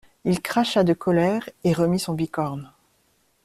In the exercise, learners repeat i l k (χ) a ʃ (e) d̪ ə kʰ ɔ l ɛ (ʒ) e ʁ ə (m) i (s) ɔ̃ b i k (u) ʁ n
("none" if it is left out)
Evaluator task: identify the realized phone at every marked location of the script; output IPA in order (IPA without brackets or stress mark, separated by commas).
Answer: χ, a, ʁ, m, s, ɔ